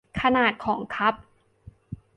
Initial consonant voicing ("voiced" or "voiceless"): voiceless